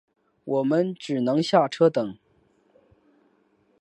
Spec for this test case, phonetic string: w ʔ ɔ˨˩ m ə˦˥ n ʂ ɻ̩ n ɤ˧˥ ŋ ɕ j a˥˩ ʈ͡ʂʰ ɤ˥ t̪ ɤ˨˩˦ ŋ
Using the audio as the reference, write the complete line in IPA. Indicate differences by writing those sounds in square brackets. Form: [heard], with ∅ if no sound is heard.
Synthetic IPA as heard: w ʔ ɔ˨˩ m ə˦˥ n [ʈ͡ʂ] ɻ̩ n ɤ˧˥ ŋ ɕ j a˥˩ ʈ͡ʂʰ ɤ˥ t̪ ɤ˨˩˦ ŋ